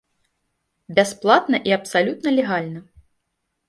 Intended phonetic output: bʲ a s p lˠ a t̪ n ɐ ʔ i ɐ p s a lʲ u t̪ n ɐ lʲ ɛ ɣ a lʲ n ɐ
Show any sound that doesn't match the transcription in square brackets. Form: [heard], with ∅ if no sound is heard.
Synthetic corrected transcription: bʲ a s p lˠ a t̪ n ɐ ʔ i ɐ p s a lʲ u t̪ n ɐ lʲ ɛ ɣ a lʲ n ɐ